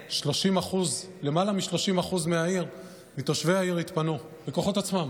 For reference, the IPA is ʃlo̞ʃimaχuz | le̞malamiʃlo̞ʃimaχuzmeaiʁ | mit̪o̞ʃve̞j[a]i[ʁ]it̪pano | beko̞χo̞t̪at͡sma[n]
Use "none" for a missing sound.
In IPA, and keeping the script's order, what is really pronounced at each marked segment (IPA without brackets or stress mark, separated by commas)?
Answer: a, ʁ, m